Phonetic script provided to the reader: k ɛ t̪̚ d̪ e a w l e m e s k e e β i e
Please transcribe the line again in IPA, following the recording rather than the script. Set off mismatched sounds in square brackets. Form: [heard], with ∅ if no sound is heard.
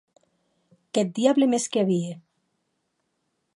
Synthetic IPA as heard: k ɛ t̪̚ d̪ [i] a [β] l e m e s k e [a] β i e